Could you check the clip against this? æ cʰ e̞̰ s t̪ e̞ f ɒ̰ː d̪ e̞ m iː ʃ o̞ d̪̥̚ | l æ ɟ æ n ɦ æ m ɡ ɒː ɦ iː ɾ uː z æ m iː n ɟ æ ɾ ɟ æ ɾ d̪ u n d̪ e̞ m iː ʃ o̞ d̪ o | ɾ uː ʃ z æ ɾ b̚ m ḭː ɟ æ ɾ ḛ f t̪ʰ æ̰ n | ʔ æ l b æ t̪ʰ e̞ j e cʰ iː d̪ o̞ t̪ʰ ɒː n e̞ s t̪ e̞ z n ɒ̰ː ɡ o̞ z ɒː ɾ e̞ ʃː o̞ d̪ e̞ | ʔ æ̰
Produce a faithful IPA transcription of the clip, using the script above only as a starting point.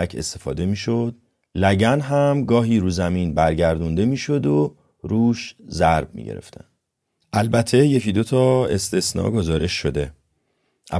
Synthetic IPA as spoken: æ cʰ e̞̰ s t̪ e̞ f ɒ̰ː d̪ e̞ m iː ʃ o̞ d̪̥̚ | l æ ɟ æ n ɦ æ m ɡ ɒː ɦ iː ɾ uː z æ m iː n b æ ɾ ɟ æ ɾ d̪ u n d̪ e̞ m iː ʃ o̞ d̪ o | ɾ uː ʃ z æ ɾ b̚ m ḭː ɟ e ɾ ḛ f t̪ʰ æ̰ n | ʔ æ l b æ t̪ʰ e̞ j e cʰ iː d̪ o̞ t̪ʰ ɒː e̞ s t̪ e̞ s n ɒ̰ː ɡ o̞ z ɒː ɾ e̞ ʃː o̞ d̪ e̞ | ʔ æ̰